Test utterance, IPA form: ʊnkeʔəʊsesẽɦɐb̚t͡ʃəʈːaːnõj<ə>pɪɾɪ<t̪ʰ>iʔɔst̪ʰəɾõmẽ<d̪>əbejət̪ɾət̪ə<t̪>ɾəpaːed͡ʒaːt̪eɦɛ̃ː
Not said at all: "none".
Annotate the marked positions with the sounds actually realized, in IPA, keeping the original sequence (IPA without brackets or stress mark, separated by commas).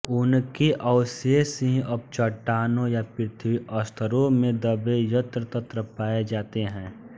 a, t̪ʰ, d̪, t̪